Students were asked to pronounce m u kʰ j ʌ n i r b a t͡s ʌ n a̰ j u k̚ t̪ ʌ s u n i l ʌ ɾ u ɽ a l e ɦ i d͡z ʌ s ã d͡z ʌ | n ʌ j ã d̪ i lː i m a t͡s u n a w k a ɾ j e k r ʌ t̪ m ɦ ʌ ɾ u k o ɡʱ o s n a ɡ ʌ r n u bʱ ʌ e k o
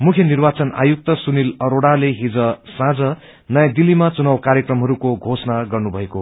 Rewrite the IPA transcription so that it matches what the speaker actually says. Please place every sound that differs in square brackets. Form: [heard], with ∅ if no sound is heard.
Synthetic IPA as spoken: m u kʰ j ʌ n i r b a t͡s ʌ n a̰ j u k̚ t̪ ʌ s u n i l ʌ ɾ [o] ɽ a l e ɦ i d͡z ʌ s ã d͡z ʌ | n ʌ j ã d̪ i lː i m a t͡s u n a w k a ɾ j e k r ʌ [∅] m ɦ ʌ ɾ u k o ɡʱ o s n a ɡ ʌ r n u bʱ ʌ e k o